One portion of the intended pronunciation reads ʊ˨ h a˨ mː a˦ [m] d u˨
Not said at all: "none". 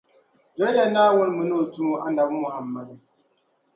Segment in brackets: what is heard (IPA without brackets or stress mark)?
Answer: none